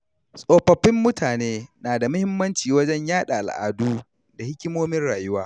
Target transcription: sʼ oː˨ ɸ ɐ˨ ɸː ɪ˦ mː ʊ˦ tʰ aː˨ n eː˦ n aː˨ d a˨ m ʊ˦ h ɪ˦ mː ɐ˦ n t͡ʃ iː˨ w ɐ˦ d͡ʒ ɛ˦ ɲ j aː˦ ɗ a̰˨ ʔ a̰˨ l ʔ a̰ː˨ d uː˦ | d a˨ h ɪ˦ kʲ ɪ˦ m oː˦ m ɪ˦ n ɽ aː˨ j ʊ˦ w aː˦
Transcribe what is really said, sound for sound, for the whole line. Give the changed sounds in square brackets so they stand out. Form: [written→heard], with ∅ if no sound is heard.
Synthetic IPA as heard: sʼ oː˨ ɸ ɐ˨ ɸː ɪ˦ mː ʊ˦ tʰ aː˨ n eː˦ n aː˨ d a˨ m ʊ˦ h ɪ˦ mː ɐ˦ n t͡ʃ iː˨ w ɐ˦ d͡ʒ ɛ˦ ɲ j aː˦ ɗ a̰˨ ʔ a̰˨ l ʔ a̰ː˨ d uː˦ | d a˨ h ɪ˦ kʲ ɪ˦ m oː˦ m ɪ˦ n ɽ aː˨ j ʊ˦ w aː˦